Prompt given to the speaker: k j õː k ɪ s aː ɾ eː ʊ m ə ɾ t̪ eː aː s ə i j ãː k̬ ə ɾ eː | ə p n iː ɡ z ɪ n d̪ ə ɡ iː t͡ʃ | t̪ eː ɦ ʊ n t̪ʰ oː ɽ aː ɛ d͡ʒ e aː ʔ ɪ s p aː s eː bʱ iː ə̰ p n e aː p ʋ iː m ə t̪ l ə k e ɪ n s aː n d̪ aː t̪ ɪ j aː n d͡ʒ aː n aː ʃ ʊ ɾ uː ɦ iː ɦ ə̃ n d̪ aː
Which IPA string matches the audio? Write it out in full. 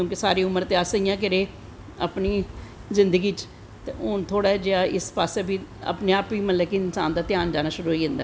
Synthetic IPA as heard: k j õː k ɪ s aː ɾ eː ʊ m ə ɾ t̪ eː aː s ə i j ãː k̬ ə ɾ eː | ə p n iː z ɪ n d̪ ə ɡ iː t͡ʃ | t̪ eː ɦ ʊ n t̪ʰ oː ɽ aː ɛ d͡ʒ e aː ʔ ɪ s p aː s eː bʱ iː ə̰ p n e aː p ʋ iː m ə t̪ l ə k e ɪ n s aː n d̪ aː t̪ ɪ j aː n d͡ʒ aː n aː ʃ ʊ ɾ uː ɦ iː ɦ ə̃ n d̪ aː